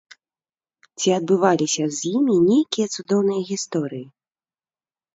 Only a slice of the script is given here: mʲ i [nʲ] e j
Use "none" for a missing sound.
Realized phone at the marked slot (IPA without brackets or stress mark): nʲ